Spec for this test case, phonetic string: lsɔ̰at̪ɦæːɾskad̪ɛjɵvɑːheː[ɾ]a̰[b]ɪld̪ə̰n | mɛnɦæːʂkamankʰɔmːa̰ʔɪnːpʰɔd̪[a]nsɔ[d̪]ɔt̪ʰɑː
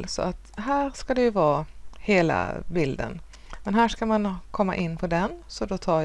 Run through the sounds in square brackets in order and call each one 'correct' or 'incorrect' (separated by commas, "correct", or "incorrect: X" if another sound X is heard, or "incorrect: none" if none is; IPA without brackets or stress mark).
incorrect: l, correct, incorrect: ɛ, correct